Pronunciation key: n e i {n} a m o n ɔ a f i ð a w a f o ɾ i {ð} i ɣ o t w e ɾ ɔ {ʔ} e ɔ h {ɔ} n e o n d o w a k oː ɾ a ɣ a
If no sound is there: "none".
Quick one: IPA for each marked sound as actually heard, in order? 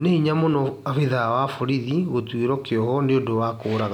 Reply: ɲ, ð, k, ɔ

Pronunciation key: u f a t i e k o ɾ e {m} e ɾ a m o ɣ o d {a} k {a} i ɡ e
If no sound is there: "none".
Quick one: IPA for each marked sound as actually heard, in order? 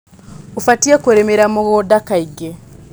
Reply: m, a, a

